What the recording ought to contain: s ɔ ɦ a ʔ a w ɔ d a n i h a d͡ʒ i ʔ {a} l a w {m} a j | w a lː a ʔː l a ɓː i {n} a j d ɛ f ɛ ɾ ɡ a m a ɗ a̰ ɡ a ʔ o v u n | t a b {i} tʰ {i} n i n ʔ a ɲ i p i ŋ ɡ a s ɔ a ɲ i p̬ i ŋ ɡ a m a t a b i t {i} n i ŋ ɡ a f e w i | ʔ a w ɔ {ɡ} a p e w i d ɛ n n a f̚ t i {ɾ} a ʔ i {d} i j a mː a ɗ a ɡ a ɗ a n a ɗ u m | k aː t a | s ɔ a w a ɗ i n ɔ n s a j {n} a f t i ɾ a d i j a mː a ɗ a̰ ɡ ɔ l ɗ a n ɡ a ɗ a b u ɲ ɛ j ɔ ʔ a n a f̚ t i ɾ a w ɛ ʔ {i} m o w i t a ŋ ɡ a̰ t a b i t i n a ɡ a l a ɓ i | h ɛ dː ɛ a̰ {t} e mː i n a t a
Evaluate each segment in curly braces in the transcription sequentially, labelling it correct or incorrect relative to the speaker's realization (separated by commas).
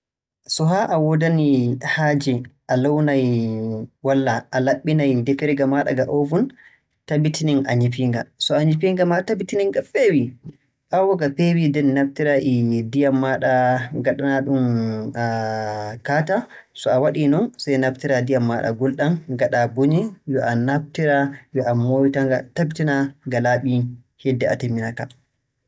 correct, incorrect, correct, correct, correct, correct, correct, correct, correct, correct, incorrect, correct